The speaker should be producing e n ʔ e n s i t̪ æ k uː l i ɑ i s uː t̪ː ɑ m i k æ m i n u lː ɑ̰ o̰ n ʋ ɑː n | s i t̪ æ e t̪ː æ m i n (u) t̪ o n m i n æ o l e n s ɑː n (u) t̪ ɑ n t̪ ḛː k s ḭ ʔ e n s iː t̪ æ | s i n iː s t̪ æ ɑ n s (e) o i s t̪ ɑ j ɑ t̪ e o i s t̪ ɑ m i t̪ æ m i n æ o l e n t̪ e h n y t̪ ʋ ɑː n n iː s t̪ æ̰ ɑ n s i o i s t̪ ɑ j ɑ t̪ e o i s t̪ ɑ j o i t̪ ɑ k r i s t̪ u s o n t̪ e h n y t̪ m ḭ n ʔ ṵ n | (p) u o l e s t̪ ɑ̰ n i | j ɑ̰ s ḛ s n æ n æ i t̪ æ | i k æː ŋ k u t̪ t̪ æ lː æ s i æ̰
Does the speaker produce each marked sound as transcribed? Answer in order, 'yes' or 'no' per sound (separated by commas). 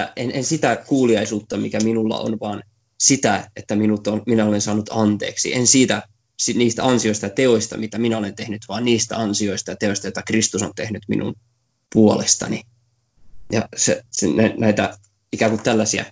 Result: yes, yes, no, yes